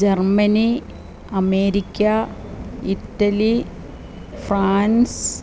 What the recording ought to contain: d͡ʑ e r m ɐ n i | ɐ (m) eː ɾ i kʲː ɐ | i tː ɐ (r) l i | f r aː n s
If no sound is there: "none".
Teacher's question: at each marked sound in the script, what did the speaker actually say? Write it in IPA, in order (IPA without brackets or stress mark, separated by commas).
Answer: m, none